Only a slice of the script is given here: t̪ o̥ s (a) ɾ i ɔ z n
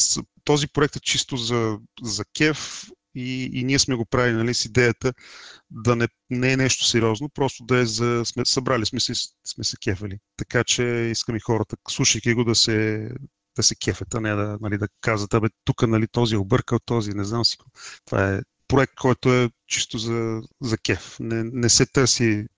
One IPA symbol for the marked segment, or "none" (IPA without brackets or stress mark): ɛ